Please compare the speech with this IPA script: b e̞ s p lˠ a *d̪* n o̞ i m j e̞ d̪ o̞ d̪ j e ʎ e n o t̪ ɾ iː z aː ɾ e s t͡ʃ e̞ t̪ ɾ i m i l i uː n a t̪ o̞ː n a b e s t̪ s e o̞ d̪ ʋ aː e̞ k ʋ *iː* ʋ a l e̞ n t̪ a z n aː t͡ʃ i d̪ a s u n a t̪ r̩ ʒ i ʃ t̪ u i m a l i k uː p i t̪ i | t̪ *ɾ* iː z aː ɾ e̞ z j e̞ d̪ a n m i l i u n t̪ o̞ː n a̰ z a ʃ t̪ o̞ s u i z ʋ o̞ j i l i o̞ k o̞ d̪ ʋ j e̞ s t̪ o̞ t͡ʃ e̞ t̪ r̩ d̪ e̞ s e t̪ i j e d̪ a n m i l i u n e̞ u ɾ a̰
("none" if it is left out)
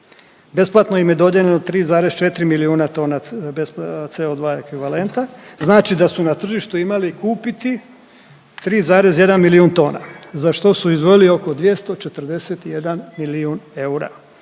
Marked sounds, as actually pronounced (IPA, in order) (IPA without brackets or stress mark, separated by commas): t̪, i, ɾ